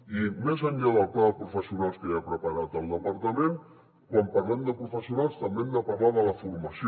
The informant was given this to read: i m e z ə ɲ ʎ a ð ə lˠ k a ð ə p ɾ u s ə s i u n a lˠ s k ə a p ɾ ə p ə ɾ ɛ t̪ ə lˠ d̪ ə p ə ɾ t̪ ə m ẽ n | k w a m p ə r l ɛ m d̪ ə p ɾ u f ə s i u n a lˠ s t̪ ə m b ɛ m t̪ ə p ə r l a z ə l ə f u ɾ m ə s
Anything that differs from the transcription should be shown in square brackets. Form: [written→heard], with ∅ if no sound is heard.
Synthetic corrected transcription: i m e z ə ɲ ʎ a ð ə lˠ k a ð ə p ɾ u [s→f] ə s i u n a lˠ s k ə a p ɾ ə p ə ɾ [ɛ→a] t̪ ə lˠ d̪ ə p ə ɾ t̪ ə m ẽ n | k w a m p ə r l ɛ m d̪ ə p ɾ u f ə s i u n a lˠ s t̪ ə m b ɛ m [t̪→d̪] ə p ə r l a [z→ð] ə l ə f u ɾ m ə s

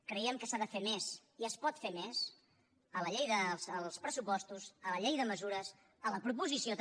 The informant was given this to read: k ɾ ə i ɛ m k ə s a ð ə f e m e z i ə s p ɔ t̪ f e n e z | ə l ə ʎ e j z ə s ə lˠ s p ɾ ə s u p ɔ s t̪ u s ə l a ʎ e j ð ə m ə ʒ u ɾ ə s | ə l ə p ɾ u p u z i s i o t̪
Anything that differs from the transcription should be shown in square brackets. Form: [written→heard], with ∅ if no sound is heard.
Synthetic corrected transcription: k ɾ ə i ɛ m k ə s a ð ə f e m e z i ə s p ɔ t̪ f e [n→m] e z | ə l ə ʎ e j [z→ð] ə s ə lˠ s p ɾ ə s u p ɔ s t̪ u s ə l [a→ə] ʎ e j ð ə m ə [ʒ→z] u ɾ ə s | ə l ə p ɾ u p u z i s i o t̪

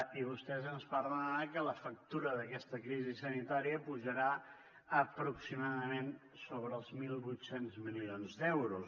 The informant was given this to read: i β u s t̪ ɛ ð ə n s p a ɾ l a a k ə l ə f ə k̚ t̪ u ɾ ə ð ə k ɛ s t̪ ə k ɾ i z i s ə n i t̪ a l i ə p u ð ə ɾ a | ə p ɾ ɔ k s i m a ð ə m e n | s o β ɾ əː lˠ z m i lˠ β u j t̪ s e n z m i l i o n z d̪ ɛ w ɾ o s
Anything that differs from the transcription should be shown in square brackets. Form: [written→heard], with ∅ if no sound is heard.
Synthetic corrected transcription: i β u s t̪ ɛ [ð→z] ə n s p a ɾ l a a k ə l ə f ə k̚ t̪ u ɾ ə ð ə k ɛ s t̪ ə k ɾ i z i s ə n i t̪ a [l→ɾ] i ə p u [ð→ʒ] ə ɾ a | ə p ɾ [ɔ→u] k s i m a ð ə m e n | s o β ɾ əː lˠ z m i lˠ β u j t̪ s e n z m i l i o n z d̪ ɛ w ɾ [o→u] s

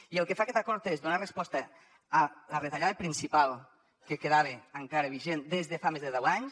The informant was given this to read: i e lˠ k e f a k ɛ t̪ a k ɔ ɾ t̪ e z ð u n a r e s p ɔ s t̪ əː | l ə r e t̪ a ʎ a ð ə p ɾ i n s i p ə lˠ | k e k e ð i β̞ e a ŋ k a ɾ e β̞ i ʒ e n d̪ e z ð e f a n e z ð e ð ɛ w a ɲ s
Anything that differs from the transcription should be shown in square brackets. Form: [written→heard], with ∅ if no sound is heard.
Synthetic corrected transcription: i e lˠ k e f a k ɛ t̪ a k ɔ ɾ t̪ e z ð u n a r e s p ɔ s t̪ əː | l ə r e t̪ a ʎ a ð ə p ɾ i n s i p [ə→a] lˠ | k e k e ð [i→a] β̞ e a ŋ k a ɾ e β̞ i ʒ e n d̪ e z ð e f a [n→m] e z ð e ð ɛ w a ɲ s

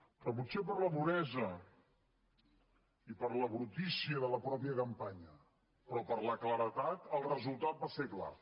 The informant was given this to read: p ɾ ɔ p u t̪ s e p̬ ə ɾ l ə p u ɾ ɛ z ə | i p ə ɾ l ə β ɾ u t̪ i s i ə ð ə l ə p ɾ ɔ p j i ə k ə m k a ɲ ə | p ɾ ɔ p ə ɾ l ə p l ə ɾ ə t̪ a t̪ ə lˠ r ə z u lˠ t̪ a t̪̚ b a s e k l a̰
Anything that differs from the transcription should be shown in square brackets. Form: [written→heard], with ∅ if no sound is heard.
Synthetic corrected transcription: p ɾ ɔ p u t̪ s e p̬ ə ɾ l ə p u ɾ ɛ z ə | i p ə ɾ l ə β ɾ u t̪ i s i ə ð ə l ə p ɾ ɔ p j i ə k ə m [k→p] a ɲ ə | p ɾ ɔ p ə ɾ l ə [p→k] l ə ɾ ə t̪ a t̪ ə lˠ r ə z u lˠ t̪ a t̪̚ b a s e k l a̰

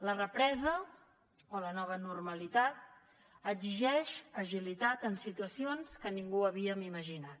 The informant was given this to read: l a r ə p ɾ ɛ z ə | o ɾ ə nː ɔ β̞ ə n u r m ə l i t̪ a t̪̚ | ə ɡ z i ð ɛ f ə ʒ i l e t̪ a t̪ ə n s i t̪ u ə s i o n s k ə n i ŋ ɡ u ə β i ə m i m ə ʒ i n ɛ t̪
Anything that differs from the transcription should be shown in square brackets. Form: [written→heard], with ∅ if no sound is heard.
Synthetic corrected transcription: l [a→ə] r ə p ɾ ɛ z ə | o [ɾ→l] ə [nː→n] ɔ β̞ ə n u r m ə l i t̪ a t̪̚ | ə ɡ z i [ð→ʒ] ɛ [f→ʃ] ə ʒ i l [e→i] t̪ a t̪ ə n s i t̪ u ə s i o n s k ə n i ŋ ɡ u ə β i ə m i m ə ʒ i n [ɛ→a] t̪

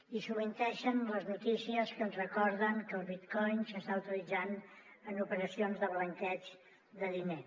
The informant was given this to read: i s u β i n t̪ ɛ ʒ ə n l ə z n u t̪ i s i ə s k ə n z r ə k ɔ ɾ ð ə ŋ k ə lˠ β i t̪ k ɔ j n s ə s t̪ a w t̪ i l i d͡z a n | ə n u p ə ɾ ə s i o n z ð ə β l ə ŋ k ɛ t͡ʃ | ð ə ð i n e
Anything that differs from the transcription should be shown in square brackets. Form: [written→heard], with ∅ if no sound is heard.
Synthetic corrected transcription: i s u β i n t̪ ɛ [ʒ→ʃ] ə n l ə z n u t̪ i s i ə s k ə n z r ə k ɔ ɾ ð ə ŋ k ə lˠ β i t̪ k ɔ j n s ə s t̪ a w t̪ i l i d͡z a n | ə n u p ə ɾ ə s i o n z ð ə β l ə ŋ k ɛ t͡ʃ | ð ə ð i n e

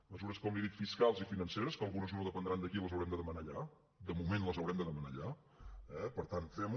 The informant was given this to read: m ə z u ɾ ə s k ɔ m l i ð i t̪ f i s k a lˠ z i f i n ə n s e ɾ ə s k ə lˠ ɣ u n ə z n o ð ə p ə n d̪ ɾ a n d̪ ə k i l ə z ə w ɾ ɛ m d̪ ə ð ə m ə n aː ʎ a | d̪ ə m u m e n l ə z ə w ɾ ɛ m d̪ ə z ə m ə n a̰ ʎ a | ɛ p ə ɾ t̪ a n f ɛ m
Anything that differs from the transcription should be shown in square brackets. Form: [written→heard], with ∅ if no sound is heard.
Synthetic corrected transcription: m ə z u ɾ ə s k ɔ m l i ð i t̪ f i s k a lˠ z i f i n ə n s e ɾ ə s k ə lˠ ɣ u n ə z n o ð ə p ə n d̪ ɾ a n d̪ ə k i l ə z ə w ɾ ɛ m d̪ ə ð ə m ə n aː ʎ a | d̪ ə m u m e n l ə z ə w ɾ ɛ m d̪ ə [z→ð] ə m ə n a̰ ʎ a | ɛ p ə ɾ t̪ a n f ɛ m

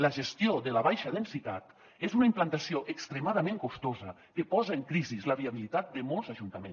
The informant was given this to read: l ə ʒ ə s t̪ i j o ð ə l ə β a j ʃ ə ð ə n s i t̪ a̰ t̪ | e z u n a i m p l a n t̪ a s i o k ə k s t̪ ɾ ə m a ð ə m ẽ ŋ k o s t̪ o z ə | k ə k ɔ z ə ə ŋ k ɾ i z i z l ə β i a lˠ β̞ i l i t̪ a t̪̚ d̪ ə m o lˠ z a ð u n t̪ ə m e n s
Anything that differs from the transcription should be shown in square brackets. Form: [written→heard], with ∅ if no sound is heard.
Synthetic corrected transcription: l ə ʒ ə s t̪ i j o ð ə l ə β a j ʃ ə ð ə n s i t̪ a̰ t̪ | e z u n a i m p l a n t̪ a s i o [k→ʔ] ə k s t̪ ɾ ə m a ð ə m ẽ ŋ k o s t̪ o z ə | k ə [k→p] ɔ z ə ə ŋ k ɾ i z i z l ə β i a [lˠ→∅] β̞ i l i t̪ a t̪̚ d̪ ə m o lˠ z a [ð→ʒ] u n t̪ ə m e n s

